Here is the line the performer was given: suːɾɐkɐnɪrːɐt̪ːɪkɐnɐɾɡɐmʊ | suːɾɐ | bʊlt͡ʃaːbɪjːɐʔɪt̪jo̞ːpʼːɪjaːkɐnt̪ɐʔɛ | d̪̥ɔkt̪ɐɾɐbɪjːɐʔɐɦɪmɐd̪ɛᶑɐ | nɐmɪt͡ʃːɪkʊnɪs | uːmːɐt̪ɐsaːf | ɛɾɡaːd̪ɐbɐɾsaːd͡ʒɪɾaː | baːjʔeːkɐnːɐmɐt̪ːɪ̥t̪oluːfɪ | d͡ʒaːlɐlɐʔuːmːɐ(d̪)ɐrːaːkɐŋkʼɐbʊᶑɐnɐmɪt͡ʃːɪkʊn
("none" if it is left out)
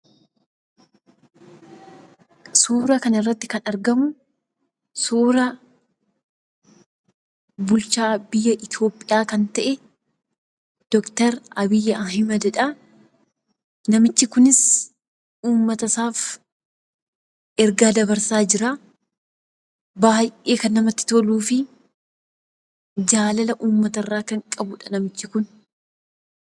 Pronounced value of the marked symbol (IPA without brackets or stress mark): t̪